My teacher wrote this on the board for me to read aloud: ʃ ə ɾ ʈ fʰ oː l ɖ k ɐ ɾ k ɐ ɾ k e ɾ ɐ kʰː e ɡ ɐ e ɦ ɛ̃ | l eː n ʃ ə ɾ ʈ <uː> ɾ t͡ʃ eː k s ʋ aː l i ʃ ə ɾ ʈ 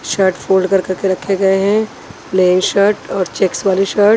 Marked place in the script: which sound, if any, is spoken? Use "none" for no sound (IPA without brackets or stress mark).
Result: ɔː